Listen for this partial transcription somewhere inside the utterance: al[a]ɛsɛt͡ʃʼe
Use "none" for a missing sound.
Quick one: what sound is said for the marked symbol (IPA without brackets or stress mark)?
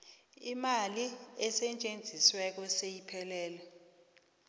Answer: i